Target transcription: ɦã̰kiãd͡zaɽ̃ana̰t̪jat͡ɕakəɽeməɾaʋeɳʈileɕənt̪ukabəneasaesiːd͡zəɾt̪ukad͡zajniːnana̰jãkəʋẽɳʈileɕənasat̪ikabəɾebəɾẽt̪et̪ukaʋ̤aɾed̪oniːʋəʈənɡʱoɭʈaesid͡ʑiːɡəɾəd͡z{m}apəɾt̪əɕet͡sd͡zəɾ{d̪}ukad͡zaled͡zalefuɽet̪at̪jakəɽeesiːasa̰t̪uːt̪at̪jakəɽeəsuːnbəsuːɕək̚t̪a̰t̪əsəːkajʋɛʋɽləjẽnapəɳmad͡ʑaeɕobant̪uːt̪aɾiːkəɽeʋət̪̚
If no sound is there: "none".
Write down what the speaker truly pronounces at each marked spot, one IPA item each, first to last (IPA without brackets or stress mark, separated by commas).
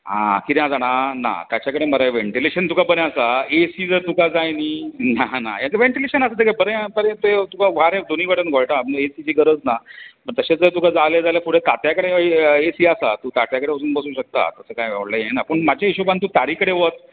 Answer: n, t̪